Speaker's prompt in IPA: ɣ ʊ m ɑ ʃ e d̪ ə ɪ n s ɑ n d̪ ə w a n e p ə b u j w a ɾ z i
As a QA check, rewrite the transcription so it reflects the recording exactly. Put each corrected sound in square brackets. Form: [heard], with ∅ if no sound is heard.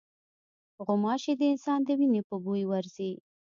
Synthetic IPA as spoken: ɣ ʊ m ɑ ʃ e d̪ ə ɪ n s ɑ n d̪ ə w [i] n e p ə b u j w a ɾ z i